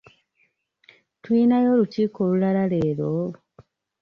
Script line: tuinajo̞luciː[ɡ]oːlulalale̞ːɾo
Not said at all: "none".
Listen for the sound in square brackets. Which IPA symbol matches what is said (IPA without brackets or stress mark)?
k